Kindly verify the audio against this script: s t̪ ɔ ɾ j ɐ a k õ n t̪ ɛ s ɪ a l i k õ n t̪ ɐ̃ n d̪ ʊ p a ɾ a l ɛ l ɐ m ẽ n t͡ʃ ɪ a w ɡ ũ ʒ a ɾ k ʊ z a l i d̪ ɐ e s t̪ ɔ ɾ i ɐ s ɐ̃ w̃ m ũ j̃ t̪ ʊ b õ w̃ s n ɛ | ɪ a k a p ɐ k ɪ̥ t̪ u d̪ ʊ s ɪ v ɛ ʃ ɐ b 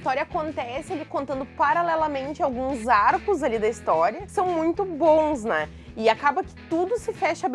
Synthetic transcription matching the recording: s t̪ ɔ ɾ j ɐ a k õ n t̪ ɛ s ɪ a l i k õ n t̪ ɐ̃ n d̪ ʊ p a ɾ a l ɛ l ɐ m ẽ n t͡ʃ ɪ a w ɡ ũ z a ɾ k ʊ z a l i d̪ ɐ i s t̪ ɔ ɾ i ɐ s ɐ̃ w̃ m ũ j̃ t̪ ʊ b õ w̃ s n ɛ | ɪ a k a b ɐ k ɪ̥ t̪ u d̪ ʊ s ɪ f ɛ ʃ ɐ b